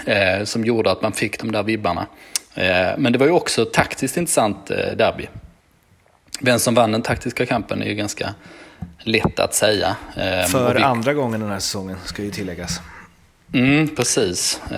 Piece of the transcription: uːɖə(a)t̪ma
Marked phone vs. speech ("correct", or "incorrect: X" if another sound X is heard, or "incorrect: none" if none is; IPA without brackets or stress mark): correct